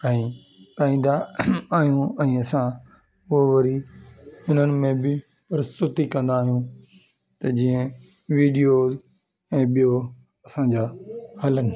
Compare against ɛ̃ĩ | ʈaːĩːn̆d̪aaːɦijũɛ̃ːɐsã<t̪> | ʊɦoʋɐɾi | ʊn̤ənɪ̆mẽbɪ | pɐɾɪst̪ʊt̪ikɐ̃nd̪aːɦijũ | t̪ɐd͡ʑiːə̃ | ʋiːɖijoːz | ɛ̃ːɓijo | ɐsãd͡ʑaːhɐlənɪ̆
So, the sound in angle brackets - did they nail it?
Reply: no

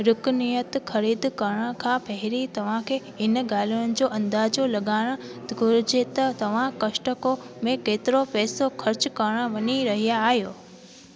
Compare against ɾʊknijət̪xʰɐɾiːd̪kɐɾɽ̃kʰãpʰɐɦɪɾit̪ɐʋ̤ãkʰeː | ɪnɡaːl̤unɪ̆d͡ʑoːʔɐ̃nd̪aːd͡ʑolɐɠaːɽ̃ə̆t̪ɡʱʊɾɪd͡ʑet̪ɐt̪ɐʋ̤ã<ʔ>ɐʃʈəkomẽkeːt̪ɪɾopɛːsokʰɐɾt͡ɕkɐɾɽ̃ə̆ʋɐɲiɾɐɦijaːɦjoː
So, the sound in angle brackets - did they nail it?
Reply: no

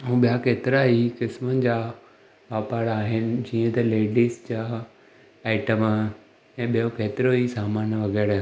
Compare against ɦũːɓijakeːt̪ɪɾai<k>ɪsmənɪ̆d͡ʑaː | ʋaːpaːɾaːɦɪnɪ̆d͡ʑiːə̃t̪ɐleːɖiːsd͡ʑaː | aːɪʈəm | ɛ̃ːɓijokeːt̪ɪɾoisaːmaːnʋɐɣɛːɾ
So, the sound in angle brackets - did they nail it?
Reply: yes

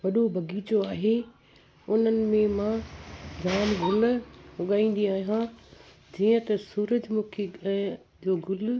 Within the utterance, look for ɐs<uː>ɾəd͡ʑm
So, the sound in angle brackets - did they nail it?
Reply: yes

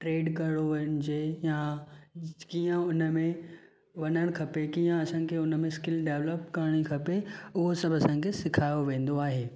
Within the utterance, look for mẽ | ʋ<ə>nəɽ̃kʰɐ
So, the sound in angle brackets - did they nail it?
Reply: no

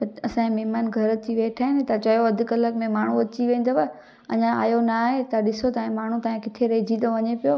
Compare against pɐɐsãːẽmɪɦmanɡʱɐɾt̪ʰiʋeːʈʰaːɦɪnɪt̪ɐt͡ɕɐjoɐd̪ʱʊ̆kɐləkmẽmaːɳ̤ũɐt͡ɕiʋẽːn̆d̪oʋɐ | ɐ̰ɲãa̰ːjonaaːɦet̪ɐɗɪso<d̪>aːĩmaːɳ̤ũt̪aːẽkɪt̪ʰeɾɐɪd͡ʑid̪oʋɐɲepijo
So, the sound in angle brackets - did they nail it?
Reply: no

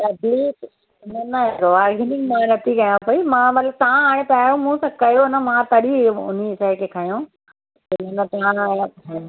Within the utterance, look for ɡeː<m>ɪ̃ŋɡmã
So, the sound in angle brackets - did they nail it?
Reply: no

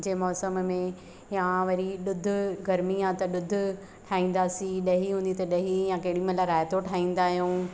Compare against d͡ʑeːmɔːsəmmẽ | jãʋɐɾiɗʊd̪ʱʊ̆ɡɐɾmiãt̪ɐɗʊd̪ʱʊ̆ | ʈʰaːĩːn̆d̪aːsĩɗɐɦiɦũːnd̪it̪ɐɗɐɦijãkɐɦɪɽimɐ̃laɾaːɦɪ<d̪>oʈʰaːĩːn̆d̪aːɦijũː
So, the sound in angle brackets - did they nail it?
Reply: no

